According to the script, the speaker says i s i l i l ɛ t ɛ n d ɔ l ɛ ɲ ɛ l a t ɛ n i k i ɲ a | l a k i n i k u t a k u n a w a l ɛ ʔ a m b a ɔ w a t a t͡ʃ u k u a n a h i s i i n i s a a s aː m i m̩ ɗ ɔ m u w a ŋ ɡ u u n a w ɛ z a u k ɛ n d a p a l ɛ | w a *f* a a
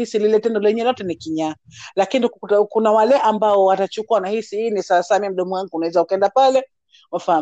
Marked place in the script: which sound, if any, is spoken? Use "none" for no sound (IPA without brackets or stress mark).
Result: f